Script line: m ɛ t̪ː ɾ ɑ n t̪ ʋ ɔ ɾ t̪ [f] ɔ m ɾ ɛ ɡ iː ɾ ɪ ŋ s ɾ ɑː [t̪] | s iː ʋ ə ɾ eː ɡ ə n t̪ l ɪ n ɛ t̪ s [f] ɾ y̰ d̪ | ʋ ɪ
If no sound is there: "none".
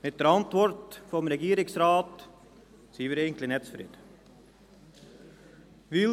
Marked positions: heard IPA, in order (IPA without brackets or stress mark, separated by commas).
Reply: f, t̪, f